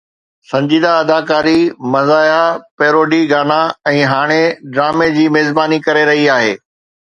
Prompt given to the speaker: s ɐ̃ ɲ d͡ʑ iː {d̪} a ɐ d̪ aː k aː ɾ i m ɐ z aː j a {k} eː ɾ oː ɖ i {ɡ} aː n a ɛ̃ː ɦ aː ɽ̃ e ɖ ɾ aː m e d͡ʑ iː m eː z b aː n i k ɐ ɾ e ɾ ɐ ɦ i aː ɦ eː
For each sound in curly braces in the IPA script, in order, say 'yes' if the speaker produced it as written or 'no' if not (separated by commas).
yes, no, yes